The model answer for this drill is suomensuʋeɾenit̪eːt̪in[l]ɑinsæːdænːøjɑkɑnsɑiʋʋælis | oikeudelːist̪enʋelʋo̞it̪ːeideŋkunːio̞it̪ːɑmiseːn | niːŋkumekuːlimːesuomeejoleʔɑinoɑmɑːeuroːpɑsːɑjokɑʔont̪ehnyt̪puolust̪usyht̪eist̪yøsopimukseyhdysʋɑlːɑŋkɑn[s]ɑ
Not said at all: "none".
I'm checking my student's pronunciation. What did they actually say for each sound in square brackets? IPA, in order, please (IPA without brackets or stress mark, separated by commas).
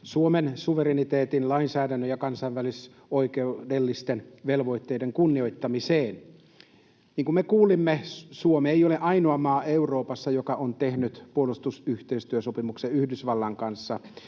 l, sː